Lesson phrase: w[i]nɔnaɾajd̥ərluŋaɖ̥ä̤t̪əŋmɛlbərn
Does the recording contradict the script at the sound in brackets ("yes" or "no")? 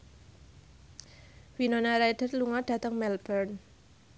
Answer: no